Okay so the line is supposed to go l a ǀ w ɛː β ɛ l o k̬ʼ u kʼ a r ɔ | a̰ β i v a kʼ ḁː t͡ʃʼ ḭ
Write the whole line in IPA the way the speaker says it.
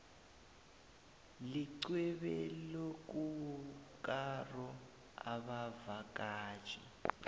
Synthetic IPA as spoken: l i ǀ w ɛ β ɛ l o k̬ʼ u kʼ a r ɔ | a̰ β a v a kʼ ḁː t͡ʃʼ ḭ